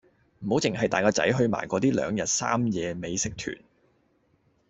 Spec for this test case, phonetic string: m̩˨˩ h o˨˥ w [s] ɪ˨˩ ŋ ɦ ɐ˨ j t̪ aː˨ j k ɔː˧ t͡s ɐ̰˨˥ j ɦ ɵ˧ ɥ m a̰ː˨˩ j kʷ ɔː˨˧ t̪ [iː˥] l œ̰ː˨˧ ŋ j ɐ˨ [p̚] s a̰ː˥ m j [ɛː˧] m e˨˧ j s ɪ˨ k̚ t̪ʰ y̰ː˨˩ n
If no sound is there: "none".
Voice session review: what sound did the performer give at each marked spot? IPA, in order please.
t͡s, iː˥, t̚, ɛː˧

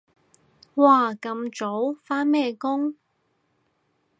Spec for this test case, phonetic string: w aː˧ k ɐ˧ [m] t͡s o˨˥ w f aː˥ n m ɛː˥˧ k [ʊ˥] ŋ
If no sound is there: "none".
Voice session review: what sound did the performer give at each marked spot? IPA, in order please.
m, ʊ˥

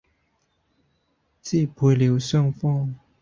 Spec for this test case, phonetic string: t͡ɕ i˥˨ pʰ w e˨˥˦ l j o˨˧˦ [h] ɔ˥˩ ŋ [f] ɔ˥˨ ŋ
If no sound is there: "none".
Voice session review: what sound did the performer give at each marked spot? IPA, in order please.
ɕ, f

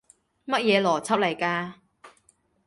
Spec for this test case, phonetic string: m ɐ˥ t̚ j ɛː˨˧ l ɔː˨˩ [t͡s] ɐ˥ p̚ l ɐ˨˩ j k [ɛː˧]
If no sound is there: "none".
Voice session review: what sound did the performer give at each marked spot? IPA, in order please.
t͡sʰ, aː˧

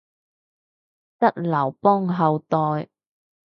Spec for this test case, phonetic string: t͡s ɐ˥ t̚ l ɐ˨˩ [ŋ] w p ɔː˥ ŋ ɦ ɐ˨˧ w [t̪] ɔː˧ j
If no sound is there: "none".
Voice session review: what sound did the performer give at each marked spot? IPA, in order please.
none, t̪

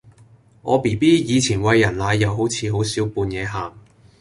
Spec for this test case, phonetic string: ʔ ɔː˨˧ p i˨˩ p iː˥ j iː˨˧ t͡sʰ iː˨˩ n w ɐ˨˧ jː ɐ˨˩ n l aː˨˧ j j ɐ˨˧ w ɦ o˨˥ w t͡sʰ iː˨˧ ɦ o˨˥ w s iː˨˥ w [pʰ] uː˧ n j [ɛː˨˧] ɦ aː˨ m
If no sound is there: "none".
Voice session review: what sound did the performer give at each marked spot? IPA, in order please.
p, ɛː˨˧

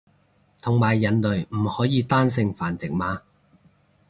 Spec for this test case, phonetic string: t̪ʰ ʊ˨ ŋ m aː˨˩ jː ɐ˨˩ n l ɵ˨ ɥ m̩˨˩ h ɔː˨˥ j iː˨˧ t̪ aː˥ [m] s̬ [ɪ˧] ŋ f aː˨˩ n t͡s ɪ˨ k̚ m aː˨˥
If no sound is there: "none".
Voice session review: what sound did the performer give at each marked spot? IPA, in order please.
n, ɪ˧

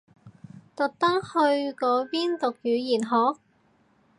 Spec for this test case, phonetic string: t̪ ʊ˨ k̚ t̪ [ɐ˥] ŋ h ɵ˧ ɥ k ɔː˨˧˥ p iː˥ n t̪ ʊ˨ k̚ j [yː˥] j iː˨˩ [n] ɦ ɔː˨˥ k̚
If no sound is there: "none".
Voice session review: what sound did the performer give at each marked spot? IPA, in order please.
ɐ˥, yː˨˧, n

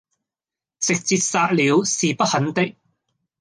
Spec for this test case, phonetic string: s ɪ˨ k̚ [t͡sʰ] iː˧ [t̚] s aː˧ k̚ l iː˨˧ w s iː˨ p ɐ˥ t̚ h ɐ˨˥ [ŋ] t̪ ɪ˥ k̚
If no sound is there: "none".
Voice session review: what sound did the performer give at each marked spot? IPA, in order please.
t͡s, t̚, n

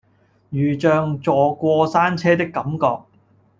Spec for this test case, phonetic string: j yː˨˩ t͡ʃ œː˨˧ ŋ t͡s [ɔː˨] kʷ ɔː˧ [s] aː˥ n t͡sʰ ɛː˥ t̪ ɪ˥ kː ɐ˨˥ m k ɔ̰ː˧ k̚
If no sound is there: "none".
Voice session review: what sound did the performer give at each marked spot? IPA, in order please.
ɔː˨, s

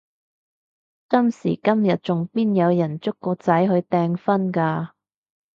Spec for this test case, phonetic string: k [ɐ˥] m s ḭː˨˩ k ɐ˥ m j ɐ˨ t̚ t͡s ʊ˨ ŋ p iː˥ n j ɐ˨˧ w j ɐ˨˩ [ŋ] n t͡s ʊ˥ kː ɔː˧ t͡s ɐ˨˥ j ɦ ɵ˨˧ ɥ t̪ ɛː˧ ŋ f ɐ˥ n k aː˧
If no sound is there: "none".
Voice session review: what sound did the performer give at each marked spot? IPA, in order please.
ɐ˥, none

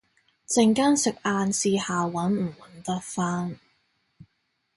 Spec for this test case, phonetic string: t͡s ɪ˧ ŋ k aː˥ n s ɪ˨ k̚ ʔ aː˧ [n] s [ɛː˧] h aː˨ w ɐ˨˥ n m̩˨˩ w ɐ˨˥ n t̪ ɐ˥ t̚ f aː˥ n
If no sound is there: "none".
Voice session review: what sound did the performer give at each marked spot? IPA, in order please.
n, iː˧

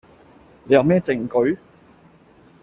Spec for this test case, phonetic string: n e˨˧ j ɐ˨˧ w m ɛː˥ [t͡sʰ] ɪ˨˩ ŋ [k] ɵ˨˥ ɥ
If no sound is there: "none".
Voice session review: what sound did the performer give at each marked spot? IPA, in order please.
t͡s, k

